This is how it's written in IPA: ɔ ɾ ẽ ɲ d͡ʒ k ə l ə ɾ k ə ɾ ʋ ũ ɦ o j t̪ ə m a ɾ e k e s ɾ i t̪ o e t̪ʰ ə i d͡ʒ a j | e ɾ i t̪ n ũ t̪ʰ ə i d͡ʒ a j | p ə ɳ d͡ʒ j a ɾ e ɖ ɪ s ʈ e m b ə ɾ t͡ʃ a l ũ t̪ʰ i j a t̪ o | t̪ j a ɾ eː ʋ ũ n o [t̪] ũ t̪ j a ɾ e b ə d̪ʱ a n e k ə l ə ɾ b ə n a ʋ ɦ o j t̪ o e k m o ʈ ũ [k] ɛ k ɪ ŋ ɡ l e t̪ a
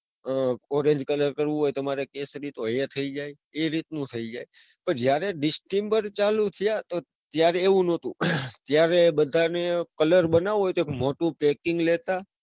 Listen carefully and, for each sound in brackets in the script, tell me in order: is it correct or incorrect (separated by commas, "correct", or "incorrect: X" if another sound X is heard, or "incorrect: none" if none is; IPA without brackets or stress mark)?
correct, incorrect: p